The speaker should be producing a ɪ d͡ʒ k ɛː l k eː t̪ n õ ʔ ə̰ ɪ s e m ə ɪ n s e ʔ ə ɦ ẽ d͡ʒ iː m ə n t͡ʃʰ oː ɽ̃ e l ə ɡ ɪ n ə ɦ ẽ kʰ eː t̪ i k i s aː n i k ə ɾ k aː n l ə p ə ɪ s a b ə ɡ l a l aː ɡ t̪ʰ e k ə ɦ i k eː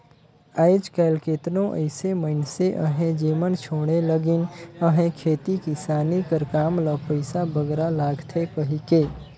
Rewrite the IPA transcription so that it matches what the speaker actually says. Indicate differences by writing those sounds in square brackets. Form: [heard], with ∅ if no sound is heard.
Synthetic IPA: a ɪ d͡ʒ k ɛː l k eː t̪ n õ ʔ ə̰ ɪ s e m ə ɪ n s e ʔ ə ɦ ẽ d͡ʒ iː m ə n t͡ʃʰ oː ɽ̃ e l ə ɡ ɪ n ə ɦ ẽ kʰ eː t̪ i k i s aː n i k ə ɾ k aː [m] l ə p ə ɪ s a b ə ɡ [ɾ] a l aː ɡ t̪ʰ e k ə ɦ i k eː